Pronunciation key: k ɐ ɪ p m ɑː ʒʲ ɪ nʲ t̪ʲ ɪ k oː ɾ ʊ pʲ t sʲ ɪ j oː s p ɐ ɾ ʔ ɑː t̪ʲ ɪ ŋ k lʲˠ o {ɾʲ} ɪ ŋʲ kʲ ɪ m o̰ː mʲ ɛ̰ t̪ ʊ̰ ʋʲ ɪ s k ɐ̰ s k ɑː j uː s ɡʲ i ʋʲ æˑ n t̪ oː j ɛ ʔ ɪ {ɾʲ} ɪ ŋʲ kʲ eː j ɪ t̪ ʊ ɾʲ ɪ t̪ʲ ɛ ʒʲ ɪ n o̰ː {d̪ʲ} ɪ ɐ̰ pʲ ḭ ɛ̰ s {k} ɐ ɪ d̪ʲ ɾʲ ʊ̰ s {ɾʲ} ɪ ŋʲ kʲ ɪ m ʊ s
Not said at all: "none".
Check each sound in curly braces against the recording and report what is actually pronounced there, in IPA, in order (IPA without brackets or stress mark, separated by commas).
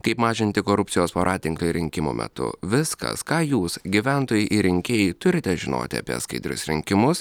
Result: ɾʲ, ɾʲ, t̪ʲ, k, ɾʲ